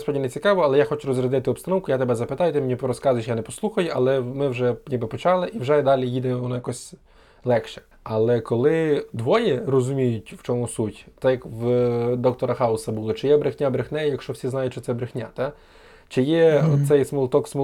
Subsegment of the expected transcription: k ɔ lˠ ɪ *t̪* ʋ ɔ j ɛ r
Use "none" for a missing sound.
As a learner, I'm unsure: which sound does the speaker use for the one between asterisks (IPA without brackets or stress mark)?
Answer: d̪